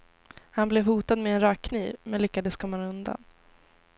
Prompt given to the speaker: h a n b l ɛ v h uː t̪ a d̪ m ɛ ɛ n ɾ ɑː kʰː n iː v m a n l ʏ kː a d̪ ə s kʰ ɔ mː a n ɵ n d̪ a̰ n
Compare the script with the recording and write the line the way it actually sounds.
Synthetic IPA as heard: h a n b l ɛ v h uː t̪ a d̪ m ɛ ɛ n ɾ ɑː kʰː n iː v m ɛ n l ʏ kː a d̪ ə s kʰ ɔ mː a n ɵ n d̪ a̰ n